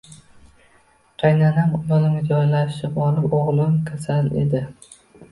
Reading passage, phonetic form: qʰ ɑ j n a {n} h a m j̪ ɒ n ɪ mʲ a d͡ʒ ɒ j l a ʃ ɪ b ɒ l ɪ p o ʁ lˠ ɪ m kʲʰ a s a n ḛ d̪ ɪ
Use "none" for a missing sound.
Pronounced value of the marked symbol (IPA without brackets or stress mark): n